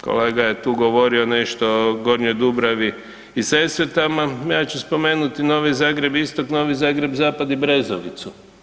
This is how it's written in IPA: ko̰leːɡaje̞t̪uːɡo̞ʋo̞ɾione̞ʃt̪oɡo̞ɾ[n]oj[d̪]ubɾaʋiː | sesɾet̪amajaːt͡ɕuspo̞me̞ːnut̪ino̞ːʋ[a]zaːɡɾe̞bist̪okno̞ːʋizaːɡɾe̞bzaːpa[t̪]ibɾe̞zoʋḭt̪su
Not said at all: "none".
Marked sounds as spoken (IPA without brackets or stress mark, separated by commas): ɲ, d̪, i, d̪